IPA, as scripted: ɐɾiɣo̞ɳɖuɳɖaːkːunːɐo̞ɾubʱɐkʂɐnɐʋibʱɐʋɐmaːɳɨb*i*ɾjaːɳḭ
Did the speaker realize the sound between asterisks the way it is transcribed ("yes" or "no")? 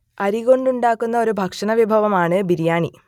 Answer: yes